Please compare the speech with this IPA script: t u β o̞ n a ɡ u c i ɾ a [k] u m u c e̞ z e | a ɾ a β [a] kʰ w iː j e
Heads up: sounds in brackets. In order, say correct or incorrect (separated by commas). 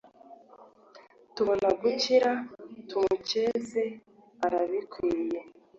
incorrect, incorrect